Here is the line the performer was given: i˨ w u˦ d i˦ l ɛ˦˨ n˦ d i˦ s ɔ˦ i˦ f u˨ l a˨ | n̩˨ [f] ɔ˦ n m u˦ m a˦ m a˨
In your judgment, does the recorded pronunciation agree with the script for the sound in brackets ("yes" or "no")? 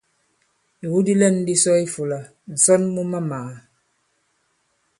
no